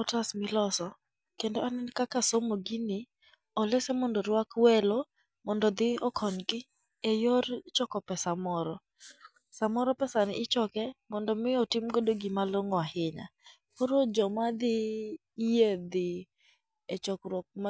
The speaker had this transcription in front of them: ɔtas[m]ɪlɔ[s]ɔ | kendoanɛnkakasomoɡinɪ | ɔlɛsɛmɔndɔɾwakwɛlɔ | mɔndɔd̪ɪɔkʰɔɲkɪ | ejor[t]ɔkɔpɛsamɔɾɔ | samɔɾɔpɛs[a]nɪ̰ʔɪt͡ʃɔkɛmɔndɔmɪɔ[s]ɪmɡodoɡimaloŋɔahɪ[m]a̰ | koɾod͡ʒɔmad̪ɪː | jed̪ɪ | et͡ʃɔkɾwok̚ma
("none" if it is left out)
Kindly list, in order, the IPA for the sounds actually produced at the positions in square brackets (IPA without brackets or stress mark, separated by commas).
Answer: m, s, t͡ʃ, a, t, ɲ